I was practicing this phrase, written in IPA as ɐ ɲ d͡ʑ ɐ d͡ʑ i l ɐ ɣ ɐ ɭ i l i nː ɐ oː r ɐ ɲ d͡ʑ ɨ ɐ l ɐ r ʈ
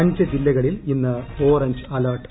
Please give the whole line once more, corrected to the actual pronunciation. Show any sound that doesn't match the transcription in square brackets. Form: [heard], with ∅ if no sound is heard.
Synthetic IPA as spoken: ɐ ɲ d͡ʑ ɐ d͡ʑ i [lː] ɐ ɣ ɐ ɭ i l i nː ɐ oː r ɐ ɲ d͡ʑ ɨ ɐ l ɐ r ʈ

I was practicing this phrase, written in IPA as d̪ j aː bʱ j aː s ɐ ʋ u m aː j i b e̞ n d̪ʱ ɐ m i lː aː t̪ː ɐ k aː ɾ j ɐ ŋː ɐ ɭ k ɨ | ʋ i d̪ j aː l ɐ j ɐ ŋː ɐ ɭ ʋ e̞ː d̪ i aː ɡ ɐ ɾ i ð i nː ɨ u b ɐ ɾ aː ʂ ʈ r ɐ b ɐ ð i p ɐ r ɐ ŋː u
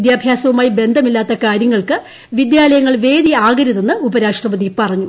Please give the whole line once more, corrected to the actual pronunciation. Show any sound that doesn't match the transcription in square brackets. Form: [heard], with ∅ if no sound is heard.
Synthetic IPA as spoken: d̪ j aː bʱ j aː s ɐ ʋ u m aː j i b e̞ n d̪ʱ ɐ m i lː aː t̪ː ɐ k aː ɾ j ɐ ŋː ɐ ɭ k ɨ | ʋ i d̪ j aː l ɐ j ɐ ŋː ɐ ɭ ʋ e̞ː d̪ i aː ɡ ɐ ɾ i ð [e] nː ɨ u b ɐ ɾ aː ʂ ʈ r ɐ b ɐ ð i p ɐ r ɐ [ɲː] u

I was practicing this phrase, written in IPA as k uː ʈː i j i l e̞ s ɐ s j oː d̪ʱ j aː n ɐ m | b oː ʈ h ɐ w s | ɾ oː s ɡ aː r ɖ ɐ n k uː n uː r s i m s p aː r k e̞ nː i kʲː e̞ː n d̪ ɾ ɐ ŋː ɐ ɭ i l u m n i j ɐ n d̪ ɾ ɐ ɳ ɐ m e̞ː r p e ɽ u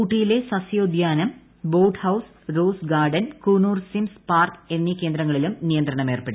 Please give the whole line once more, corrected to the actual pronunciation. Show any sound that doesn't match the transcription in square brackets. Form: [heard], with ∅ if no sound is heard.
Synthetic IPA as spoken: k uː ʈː i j i l e̞ s ɐ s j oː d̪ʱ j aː n ɐ m | b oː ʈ h ɐ w s | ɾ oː s ɡ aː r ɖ ɐ n k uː n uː r s i m s p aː r k e̞ nː i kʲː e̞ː n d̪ ɾ ɐ ŋː ɐ ɭ i l u m n i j ɐ n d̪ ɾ ɐ ɳ ɐ m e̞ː r p e ɽ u

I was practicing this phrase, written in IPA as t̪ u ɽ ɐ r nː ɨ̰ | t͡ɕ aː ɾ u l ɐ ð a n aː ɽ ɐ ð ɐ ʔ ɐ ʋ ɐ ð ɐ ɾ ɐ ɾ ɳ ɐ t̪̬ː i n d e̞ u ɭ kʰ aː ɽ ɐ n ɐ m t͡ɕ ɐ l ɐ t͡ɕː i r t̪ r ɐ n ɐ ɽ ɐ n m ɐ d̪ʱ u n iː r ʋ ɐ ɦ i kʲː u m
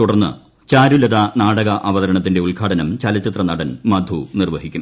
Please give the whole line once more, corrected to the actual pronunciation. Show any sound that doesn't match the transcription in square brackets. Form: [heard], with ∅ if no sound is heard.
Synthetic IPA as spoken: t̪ u ɽ ɐ r nː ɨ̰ | t͡ɕ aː ɾ u l ɐ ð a n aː ɽ ɐ [ɣ] ɐ ʔ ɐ ʋ ɐ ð ɐ ɾ ɐ [∅] ɳ ɐ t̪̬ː i n d e̞ u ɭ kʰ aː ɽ ɐ n ɐ m t͡ɕ ɐ l ɐ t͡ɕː i [∅] t̪ r ɐ n ɐ ɽ ɐ n m ɐ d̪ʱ u n [i] r ʋ ɐ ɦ i kʲː u m

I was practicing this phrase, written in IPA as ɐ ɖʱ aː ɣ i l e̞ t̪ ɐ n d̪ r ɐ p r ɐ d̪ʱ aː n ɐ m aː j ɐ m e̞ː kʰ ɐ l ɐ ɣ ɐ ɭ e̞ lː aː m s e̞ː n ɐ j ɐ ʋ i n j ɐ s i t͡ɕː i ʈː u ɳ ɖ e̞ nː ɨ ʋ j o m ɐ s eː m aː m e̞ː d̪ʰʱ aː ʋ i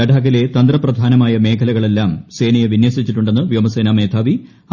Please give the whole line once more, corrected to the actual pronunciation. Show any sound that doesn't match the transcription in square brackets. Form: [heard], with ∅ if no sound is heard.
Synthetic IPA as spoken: ɐ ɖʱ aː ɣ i l e̞ t̪ ɐ n d̪ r ɐ p r ɐ d̪ʱ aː n ɐ m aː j ɐ m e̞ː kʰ ɐ l ɐ ɣ ɐ ɭ e̞ lː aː m s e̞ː n ɐ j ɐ ʋ i n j ɐ s i t͡ɕː i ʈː u ɳ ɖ e̞ nː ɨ ʋ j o m ɐ s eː [n] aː m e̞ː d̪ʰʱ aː ʋ i

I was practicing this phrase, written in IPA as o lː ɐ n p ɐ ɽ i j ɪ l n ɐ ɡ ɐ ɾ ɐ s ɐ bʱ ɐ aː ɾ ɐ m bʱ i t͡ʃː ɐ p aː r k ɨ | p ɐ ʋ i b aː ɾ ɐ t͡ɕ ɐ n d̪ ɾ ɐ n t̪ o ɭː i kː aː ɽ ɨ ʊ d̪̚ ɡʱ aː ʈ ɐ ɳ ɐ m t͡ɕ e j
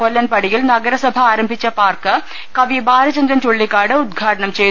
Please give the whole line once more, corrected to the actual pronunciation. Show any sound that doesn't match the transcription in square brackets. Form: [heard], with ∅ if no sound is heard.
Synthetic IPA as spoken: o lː ɐ n p ɐ ɽ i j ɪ l n ɐ ɡ ɐ ɾ ɐ s ɐ bʱ ɐ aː ɾ ɐ m bʱ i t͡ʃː ɐ p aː r k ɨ | [k] ɐ ʋ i b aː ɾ ɐ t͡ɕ ɐ n d̪ ɾ ɐ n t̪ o ɭː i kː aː ɽ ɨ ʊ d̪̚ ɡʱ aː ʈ ɐ ɳ ɐ m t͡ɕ e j

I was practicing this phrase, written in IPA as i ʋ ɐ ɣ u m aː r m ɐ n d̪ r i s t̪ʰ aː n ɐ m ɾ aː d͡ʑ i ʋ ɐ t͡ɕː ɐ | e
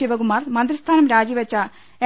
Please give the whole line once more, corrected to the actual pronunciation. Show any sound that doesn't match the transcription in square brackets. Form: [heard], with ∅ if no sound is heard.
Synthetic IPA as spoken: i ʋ ɐ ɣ u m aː r m ɐ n d̪ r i s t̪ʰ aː n ɐ m ɾ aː d͡ʑ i ʋ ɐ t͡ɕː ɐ | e

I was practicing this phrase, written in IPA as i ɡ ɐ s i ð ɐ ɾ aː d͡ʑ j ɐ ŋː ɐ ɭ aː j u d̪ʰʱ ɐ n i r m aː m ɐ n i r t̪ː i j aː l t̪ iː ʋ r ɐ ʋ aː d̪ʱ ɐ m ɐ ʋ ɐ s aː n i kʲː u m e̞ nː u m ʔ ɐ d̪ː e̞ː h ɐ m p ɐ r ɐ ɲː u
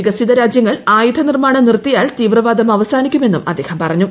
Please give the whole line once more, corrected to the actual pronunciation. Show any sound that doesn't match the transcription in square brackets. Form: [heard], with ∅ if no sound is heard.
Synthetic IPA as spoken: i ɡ ɐ s i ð ɐ ɾ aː d͡ʑ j ɐ ŋː ɐ ɭ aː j u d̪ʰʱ ɐ n i r m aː [ɳ] ɐ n i r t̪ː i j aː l t̪ iː ʋ r ɐ ʋ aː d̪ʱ ɐ m ɐ ʋ ɐ s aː n i kʲː u m e̞ nː u m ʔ ɐ d̪ː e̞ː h ɐ m p ɐ r ɐ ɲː u

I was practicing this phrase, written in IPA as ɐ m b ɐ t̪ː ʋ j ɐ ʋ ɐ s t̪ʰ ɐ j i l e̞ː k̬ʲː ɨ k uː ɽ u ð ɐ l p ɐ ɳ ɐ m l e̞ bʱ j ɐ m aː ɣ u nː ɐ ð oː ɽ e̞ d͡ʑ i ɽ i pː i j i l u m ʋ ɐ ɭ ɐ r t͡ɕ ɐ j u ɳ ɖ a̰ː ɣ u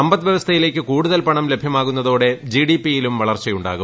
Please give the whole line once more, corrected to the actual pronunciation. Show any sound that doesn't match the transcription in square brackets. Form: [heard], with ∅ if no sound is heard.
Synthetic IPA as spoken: ɐ m b ɐ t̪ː ʋ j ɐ ʋ ɐ s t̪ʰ ɐ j i l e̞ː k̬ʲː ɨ k uː ɽ u ð ɐ l p ɐ ɳ ɐ m l e̞ bʱ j ɐ m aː ɣ u nː ɐ ð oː ɽ e̞ d͡ʑ i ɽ i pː i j i l u m ʋ ɐ ɭ ɐ r t͡ɕ ɐ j u ɳ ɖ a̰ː ɣ u

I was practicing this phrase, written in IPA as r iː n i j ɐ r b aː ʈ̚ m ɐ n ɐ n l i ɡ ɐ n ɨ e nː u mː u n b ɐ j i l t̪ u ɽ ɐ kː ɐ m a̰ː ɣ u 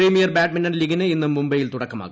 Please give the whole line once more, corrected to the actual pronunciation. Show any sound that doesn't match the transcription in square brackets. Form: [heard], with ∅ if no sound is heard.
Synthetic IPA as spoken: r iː [m] i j ɐ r b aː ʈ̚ m ɐ n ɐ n l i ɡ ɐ n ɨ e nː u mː u [m] b ɐ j i l t̪ u ɽ ɐ kː ɐ m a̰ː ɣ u

